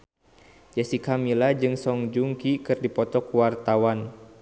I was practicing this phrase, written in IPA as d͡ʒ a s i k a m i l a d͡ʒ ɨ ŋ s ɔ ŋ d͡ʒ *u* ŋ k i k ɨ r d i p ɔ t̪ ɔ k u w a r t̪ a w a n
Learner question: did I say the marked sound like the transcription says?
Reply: yes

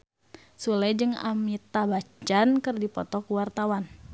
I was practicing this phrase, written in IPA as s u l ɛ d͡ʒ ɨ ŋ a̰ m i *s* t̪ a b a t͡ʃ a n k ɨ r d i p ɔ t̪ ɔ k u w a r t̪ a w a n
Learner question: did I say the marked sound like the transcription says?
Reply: no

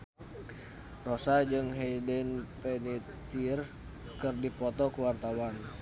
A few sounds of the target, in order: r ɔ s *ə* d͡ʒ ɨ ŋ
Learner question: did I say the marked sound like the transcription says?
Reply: no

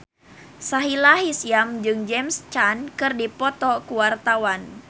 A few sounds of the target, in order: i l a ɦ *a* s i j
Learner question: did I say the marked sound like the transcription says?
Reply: no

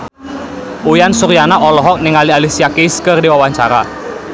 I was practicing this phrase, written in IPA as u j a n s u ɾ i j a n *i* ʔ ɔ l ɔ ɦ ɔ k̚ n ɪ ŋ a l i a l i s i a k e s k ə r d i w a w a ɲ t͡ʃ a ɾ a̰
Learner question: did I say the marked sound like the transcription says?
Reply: no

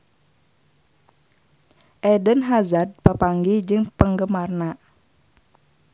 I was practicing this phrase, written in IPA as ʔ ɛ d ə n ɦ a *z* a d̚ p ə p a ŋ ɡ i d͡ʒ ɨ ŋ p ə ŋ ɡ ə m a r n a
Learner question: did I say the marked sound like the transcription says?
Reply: yes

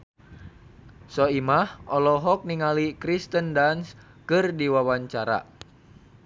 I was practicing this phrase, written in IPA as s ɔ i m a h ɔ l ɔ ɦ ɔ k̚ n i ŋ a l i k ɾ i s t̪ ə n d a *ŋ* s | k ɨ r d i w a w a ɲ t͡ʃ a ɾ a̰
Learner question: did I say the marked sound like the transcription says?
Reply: no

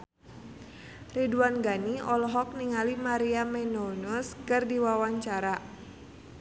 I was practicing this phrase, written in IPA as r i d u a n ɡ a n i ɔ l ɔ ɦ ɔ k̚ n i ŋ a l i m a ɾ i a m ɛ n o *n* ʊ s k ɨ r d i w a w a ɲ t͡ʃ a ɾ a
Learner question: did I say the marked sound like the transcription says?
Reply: yes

